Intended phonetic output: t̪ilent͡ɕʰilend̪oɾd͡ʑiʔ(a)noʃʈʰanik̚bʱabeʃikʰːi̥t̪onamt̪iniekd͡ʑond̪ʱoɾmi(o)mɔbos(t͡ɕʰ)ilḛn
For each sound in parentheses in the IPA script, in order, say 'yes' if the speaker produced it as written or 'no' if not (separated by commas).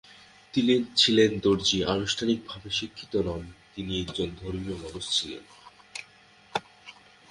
yes, yes, yes